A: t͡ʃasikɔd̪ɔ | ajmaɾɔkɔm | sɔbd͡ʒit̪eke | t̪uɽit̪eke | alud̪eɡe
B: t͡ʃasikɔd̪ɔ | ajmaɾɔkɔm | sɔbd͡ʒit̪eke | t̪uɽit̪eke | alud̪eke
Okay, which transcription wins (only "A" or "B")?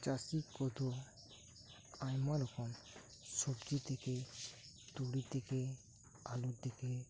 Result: B